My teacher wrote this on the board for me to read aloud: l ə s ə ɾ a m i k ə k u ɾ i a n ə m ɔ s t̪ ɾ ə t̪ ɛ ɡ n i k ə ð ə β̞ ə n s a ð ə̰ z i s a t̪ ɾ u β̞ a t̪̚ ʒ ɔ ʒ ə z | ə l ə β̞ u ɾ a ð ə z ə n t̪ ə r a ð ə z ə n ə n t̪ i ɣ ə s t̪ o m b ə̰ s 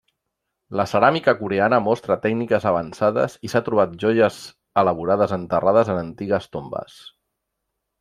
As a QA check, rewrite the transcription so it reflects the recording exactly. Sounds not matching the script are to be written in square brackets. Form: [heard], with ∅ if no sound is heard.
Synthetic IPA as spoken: l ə s ə ɾ a m i k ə k u ɾ [e] a n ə m ɔ s t̪ ɾ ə t̪ ɛ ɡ n i k ə [z] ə β̞ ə n s a ð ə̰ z i s a t̪ ɾ u β̞ a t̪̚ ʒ ɔ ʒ ə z | ə l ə β̞ u ɾ a ð ə z ə n t̪ ə r a ð ə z ə n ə n t̪ i ɣ ə s t̪ o m b ə̰ s